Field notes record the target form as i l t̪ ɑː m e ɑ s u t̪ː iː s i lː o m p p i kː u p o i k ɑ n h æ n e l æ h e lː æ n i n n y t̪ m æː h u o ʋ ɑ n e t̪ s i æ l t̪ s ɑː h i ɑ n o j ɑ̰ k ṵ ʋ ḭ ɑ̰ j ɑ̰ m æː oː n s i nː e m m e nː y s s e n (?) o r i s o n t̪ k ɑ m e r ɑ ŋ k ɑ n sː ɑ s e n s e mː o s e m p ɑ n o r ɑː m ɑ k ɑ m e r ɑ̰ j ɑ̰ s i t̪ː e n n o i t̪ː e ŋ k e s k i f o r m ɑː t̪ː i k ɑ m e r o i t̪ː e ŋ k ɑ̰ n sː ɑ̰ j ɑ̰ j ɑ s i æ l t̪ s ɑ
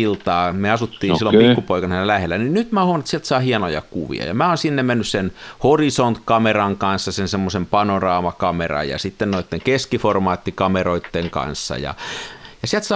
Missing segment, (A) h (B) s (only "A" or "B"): A